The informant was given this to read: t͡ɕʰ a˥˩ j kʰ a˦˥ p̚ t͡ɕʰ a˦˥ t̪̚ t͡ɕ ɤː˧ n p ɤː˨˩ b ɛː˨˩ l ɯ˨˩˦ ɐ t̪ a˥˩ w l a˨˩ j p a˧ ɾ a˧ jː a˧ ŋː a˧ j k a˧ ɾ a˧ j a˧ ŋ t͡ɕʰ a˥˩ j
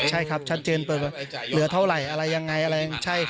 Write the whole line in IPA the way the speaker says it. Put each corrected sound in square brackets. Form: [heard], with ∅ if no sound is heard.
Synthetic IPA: t͡ɕʰ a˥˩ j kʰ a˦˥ p̚ t͡ɕʰ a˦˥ t̪̚ t͡ɕ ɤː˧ n p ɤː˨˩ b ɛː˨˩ l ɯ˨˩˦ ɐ [t̪ʰ] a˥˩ w [ɾ] a˨˩ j [ʔ] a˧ ɾ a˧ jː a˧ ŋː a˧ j [ʔ] a˧ ɾ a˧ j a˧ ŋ t͡ɕʰ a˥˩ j